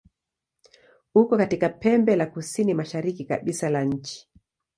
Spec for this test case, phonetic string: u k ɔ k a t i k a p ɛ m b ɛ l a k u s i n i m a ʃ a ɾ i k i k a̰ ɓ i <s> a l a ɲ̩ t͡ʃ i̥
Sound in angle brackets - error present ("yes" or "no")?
no